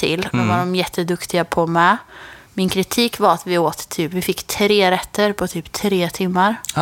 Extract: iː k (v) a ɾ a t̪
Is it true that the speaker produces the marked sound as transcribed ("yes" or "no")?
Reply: yes